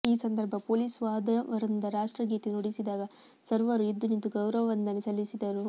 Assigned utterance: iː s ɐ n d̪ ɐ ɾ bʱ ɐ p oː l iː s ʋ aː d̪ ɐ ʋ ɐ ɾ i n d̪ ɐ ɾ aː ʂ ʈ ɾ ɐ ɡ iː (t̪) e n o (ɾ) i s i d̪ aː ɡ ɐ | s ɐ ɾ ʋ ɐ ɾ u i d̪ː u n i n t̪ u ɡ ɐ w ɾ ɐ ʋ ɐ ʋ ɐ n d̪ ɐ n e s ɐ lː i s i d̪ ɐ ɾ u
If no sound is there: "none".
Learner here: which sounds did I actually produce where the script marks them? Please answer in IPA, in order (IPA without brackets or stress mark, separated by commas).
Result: t̪, ɽ